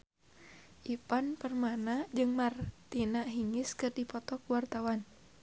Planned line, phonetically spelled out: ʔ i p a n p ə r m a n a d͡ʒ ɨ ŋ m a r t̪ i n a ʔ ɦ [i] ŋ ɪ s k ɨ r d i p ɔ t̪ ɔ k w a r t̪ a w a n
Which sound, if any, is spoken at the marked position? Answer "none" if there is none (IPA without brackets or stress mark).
i